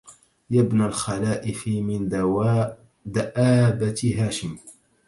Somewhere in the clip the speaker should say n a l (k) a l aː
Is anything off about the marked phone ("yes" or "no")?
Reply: yes